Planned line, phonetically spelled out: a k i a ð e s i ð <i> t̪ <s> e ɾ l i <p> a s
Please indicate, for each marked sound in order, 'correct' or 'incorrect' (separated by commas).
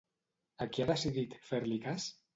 correct, incorrect, incorrect